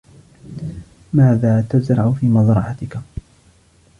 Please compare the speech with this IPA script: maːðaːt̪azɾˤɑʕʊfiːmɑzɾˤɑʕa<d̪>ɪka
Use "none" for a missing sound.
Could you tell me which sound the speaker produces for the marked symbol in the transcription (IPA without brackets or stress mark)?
t̪